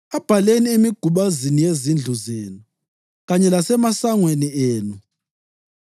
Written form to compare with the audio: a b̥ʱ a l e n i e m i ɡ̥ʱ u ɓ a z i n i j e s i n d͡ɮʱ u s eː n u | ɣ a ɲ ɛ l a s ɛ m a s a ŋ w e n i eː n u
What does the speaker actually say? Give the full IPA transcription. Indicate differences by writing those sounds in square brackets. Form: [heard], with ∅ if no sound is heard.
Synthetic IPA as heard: a b̥ʱ a l e n i e m i ɡ̥ʱ u ɓ a z i n i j e [z] i n d͡ɮʱ u [z] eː n u | ɣ a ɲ ɛ l a s ɛ m a s a ŋ w e n i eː n u